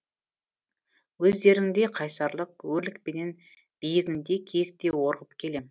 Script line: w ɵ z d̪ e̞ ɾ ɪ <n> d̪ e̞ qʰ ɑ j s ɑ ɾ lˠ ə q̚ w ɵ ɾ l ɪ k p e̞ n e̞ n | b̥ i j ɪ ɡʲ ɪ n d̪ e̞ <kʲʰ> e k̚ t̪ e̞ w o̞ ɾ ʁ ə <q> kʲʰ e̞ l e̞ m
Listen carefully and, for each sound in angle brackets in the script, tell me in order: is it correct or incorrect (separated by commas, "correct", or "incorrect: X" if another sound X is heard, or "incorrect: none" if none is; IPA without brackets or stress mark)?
incorrect: ŋ, correct, incorrect: p